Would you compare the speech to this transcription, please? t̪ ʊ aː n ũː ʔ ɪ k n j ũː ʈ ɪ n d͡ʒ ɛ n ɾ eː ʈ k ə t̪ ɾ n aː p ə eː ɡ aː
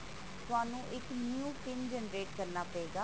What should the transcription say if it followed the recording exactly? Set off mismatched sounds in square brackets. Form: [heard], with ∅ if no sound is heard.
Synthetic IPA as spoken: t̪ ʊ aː n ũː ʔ ɪ k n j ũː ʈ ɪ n d͡ʒ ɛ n ɾ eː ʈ k ə [∅] ɾ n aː p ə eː ɡ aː